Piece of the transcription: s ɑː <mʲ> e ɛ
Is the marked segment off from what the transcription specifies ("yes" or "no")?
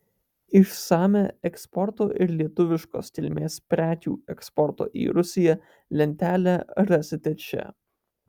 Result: no